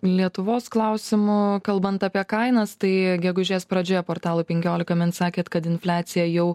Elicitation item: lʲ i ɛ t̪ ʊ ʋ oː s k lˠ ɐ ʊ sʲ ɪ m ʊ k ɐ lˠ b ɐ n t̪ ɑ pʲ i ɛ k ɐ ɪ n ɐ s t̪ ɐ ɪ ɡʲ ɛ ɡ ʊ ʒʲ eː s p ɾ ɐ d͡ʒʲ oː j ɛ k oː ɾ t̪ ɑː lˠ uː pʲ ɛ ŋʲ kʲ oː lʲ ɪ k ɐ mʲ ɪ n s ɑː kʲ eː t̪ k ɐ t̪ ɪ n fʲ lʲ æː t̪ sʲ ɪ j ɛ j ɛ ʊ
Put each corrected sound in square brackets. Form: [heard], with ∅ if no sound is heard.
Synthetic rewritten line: lʲ i ɛ t̪ ʊ ʋ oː s k lˠ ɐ ʊ sʲ ɪ m ʊ k ɐ lˠ b ɐ n t̪ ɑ pʲ i ɛ k ɐ ɪ n ɐ s t̪ ɐ ɪ ɡʲ ɛ ɡ ʊ ʒʲ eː s p ɾ ɐ d͡ʒʲ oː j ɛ [p] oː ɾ t̪ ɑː lˠ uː pʲ ɛ ŋʲ kʲ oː lʲ ɪ k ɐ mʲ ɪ n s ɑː kʲ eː t̪ k ɐ t̪ ɪ n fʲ lʲ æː t̪ sʲ ɪ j ɛ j ɛ ʊ